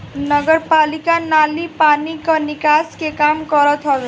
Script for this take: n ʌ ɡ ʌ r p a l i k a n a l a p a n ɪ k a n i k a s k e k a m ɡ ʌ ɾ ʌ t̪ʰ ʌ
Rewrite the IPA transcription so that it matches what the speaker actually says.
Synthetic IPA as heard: n ʌ ɡ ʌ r p a l i k a n a l i p a n i k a n i k a s k e k a m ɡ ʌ ɾ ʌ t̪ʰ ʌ